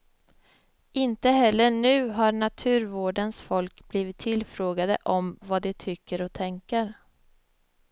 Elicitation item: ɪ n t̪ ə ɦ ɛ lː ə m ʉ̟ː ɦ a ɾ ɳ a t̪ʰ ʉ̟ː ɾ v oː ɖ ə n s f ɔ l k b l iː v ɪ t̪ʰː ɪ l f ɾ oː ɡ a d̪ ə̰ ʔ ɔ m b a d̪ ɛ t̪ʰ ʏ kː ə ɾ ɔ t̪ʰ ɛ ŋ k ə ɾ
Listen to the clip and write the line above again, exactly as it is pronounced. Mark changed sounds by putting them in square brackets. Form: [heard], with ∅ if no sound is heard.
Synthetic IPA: ɪ n t̪ ə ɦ ɛ lː ə [ɳ] ʉ̟ː ɦ a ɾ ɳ a t̪ʰ ʉ̟ː ɾ v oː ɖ ə n s f ɔ l k b l iː v ɪ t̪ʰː ɪ l f ɾ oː ɡ a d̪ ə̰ ʔ ɔ m [v] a d̪ ɛ t̪ʰ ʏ kː ə ɾ ɔ t̪ʰ ɛ ŋ k ə ɾ